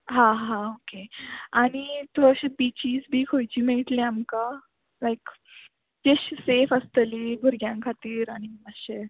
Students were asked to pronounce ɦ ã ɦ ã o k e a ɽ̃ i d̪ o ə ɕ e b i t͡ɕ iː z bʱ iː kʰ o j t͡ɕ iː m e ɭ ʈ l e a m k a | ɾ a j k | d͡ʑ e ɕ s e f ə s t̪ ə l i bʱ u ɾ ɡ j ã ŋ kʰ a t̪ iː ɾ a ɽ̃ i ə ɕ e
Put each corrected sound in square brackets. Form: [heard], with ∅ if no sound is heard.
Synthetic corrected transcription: ɦ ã ɦ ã o k e a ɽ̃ i [t̪] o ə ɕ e b i t͡ɕ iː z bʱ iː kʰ o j t͡ɕ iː m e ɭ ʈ l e a m k a | [l] a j k | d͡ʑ e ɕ s e f ə s t̪ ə l i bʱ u ɾ ɡ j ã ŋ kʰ a t̪ iː ɾ a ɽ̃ i ə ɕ e

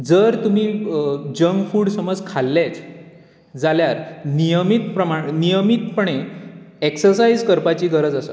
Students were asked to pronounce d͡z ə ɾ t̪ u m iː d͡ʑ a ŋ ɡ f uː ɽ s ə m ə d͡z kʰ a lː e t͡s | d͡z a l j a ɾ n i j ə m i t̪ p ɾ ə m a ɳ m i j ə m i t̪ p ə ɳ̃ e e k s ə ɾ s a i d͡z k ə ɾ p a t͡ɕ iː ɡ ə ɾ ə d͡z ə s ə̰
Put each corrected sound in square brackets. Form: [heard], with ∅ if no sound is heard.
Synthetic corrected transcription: d͡z ə ɾ t̪ u m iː d͡ʑ [ə] ŋ ɡ f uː ɽ s ə m ə d͡z kʰ a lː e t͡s | d͡z a l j a ɾ n i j ə m i t̪ p ɾ ə m a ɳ [n] i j ə m i t̪ p ə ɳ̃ e e k s ə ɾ s a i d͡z k ə ɾ p a t͡ɕ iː ɡ ə ɾ ə d͡z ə s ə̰

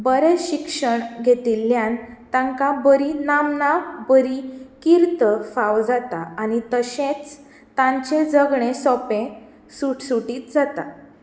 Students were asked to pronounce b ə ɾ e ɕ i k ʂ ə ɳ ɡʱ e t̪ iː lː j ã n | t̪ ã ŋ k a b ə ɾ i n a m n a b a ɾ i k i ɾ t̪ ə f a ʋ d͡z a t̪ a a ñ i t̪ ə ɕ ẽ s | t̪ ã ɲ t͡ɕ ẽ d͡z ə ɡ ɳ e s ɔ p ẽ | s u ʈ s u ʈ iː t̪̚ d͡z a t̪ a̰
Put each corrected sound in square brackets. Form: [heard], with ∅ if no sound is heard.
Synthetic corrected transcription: b ə ɾ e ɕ i k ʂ ə ɳ ɡʱ e t̪ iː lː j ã n | t̪ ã ŋ k a b ə ɾ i n a m n a b [ə] ɾ i k i ɾ t̪ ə f a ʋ d͡z a t̪ a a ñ i t̪ ə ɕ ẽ [t͡s] | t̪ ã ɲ t͡ɕ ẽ d͡z ə ɡ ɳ e s ɔ p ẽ | s u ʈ s u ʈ iː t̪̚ d͡z a t̪ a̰

